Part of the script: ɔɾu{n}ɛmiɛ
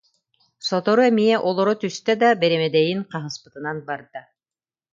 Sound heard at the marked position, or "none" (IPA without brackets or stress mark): none